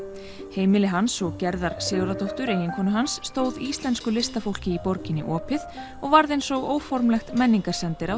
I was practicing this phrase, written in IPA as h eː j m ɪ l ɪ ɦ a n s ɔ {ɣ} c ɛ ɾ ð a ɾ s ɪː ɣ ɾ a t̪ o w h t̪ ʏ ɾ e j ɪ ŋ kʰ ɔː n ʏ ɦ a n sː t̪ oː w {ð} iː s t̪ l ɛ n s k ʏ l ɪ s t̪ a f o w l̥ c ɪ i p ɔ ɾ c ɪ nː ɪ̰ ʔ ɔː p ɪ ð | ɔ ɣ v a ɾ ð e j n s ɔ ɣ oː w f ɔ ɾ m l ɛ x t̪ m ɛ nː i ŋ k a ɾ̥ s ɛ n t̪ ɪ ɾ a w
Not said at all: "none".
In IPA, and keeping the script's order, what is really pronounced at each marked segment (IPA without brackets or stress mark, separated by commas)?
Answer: ɣ, ð